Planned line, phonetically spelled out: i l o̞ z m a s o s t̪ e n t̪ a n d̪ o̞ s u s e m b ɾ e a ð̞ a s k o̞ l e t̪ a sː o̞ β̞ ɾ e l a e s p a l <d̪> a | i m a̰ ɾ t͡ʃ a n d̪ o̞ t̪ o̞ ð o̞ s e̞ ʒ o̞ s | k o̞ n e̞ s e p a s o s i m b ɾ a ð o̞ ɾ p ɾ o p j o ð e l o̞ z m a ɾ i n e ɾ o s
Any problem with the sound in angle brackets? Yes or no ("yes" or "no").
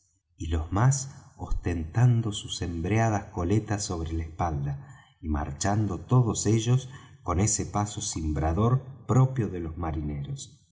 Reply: no